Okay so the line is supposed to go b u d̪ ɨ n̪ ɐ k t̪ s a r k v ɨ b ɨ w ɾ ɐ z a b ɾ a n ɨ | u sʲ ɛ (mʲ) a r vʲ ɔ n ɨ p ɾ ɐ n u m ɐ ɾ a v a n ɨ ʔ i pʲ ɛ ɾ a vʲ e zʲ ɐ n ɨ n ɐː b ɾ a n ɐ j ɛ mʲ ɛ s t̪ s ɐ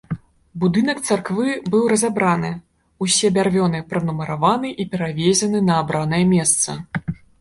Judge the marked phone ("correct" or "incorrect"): incorrect